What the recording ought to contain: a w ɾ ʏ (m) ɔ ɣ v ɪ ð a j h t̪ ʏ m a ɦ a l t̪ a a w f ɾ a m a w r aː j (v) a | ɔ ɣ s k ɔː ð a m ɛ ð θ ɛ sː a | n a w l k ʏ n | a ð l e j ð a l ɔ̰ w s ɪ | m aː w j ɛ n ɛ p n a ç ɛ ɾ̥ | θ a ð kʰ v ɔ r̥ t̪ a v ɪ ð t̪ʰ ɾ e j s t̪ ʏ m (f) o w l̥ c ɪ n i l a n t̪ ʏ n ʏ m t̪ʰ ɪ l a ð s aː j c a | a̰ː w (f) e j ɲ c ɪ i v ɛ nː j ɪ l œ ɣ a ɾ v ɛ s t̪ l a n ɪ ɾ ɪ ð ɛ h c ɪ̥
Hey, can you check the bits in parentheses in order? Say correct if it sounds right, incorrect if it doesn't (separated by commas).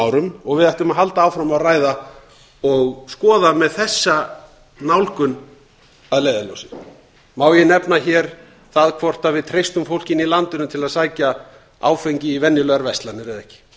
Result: correct, incorrect, correct, correct